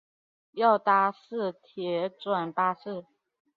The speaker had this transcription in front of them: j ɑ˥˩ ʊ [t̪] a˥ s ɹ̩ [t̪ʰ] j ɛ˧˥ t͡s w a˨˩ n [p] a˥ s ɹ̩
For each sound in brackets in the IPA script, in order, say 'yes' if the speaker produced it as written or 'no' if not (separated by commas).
yes, yes, yes